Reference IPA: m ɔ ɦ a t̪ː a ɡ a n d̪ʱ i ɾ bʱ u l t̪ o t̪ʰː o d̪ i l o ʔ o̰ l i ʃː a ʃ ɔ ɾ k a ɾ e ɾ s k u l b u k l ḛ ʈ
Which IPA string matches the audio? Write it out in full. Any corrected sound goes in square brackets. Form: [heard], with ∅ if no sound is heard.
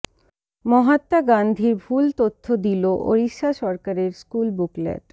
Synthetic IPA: m ɔ ɦ a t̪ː a ɡ a n d̪ʱ i ɾ bʱ u l t̪ o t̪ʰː o d̪ i l o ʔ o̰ [ɾ] i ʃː a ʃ ɔ ɾ k a ɾ e ɾ s k u l b u k l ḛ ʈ